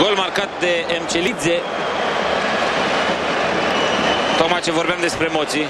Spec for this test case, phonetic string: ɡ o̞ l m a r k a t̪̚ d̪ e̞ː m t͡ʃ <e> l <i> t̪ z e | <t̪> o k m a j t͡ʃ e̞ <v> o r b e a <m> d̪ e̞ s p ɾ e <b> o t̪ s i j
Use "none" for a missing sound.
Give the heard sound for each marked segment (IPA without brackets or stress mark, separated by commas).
e, i, t̪, v, m, m